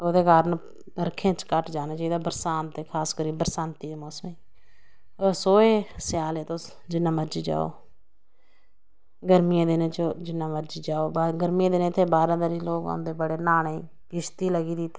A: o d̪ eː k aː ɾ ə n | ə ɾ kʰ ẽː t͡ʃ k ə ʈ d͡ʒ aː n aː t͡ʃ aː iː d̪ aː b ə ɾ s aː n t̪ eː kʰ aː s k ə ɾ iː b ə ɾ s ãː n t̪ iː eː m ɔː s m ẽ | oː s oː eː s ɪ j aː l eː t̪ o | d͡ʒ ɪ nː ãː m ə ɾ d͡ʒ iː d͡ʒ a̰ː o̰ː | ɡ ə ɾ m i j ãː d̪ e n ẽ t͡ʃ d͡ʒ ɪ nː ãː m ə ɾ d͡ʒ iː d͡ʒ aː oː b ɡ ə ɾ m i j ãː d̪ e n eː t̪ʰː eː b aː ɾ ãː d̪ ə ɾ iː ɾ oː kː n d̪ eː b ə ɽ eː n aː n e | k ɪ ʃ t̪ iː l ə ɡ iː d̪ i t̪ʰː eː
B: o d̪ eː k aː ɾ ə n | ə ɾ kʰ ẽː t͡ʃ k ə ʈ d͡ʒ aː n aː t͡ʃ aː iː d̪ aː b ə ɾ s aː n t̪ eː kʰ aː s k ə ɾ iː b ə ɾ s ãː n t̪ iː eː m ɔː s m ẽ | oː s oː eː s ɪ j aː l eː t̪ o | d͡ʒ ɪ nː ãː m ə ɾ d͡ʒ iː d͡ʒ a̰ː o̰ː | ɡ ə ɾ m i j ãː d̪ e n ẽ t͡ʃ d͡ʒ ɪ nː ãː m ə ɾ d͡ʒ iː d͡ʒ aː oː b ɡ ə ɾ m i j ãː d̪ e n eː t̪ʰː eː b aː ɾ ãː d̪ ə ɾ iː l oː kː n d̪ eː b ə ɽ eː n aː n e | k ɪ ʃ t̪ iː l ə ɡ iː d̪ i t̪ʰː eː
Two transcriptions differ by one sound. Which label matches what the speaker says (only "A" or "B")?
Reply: B